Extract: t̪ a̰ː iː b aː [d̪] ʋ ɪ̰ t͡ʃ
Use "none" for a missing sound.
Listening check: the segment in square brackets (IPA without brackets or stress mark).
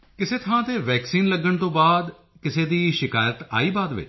d̪